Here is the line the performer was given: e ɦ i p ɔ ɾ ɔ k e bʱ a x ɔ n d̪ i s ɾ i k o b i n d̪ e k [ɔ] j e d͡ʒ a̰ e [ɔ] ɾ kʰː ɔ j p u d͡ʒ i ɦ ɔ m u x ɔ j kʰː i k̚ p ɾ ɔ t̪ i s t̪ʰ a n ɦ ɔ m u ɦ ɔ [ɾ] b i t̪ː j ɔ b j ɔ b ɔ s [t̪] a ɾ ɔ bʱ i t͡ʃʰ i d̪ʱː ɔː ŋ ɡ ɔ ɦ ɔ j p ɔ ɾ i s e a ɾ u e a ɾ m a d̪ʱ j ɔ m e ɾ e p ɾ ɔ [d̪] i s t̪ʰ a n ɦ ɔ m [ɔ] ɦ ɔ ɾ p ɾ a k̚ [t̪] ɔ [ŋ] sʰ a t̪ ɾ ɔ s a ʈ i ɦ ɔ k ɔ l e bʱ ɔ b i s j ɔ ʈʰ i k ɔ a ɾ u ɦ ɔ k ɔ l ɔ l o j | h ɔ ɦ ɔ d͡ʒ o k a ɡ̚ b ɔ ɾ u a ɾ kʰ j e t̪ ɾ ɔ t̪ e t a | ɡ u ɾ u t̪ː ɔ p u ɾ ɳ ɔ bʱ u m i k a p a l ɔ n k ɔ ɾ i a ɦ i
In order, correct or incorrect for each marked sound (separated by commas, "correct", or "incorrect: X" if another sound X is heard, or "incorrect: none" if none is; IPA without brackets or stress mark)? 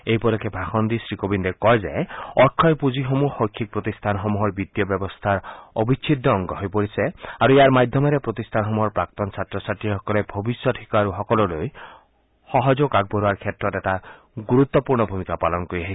correct, correct, correct, incorrect: t̪ʰ, incorrect: t̪, incorrect: u, correct, incorrect: n